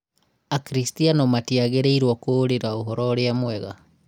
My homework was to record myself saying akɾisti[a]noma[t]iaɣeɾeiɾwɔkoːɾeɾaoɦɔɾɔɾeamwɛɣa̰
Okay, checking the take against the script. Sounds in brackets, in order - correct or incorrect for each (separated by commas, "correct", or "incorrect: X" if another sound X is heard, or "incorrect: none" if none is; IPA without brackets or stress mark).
correct, correct